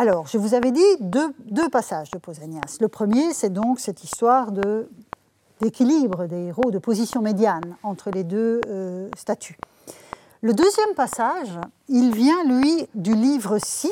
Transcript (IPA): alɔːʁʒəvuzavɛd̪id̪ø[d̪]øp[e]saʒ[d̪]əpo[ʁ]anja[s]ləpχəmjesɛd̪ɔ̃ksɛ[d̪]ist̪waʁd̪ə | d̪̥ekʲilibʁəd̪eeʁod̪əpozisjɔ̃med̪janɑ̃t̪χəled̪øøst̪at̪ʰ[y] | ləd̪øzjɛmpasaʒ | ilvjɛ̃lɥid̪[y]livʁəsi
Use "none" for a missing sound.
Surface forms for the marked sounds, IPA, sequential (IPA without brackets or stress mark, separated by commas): d̪, a, d̪, z, s, t̪, y, y